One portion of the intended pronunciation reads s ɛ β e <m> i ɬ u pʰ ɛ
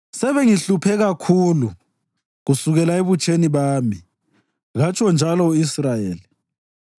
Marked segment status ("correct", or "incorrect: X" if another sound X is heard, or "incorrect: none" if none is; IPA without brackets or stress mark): incorrect: ŋ